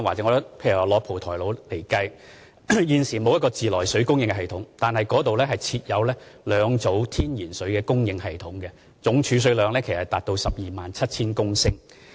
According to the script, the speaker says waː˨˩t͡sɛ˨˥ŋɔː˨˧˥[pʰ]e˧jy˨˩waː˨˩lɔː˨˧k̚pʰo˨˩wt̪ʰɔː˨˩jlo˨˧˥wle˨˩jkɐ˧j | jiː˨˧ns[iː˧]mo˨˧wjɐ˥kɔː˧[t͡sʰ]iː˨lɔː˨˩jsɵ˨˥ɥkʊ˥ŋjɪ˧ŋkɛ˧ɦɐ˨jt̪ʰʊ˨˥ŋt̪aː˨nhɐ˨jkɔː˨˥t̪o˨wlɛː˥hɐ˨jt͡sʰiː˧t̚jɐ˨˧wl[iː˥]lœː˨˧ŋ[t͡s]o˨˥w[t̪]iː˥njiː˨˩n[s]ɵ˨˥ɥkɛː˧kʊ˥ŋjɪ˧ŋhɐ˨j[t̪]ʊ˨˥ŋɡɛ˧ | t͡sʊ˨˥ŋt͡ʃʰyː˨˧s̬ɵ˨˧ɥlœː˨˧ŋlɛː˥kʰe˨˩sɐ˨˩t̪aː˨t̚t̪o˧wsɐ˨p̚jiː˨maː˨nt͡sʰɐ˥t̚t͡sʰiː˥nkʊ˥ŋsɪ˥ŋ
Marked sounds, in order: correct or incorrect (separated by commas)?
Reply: correct, incorrect, incorrect, incorrect, correct, incorrect, correct, incorrect